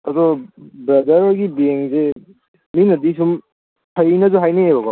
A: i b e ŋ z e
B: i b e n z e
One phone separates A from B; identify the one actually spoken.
A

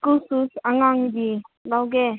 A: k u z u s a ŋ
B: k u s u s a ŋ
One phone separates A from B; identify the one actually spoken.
B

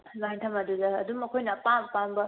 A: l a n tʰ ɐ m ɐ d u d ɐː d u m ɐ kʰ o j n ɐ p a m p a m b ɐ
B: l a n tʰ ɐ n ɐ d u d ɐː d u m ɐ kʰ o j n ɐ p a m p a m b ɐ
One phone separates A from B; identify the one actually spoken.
A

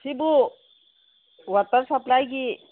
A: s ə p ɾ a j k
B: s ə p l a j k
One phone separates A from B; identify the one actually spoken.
B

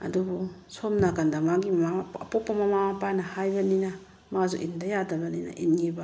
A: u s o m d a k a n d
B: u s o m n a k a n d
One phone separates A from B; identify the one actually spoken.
B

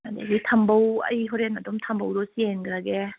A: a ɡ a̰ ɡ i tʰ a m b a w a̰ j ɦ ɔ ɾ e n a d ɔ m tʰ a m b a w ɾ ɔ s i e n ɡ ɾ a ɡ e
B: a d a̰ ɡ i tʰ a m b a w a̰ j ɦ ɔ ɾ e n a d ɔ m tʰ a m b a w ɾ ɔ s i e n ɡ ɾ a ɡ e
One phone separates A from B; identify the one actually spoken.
B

